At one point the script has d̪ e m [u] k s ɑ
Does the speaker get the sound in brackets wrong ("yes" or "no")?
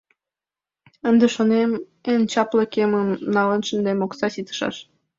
yes